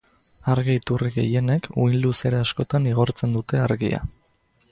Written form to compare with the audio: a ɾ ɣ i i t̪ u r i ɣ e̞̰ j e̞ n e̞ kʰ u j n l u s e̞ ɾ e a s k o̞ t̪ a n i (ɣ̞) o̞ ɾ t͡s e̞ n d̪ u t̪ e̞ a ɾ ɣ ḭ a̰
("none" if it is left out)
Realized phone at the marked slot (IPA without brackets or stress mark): ɣ̞